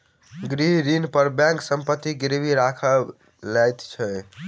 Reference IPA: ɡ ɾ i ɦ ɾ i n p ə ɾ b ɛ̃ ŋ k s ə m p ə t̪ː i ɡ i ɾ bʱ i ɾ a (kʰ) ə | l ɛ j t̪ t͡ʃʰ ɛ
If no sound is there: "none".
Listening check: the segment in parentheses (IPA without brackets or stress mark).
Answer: kʰ